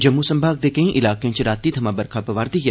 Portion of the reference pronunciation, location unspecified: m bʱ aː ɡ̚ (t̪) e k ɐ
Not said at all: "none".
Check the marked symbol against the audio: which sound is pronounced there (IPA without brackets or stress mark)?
d̪